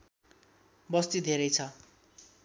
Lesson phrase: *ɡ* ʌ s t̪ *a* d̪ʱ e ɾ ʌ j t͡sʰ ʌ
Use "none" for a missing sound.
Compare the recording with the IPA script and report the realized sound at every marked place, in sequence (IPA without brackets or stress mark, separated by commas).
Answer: b, i